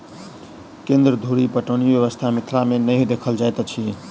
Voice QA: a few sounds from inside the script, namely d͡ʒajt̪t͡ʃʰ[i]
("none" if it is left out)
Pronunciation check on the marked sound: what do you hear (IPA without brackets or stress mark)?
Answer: i